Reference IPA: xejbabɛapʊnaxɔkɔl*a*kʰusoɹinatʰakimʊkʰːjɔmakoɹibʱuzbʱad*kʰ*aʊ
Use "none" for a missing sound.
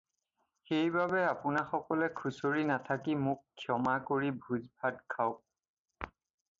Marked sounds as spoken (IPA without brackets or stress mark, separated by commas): ɛ, kʰ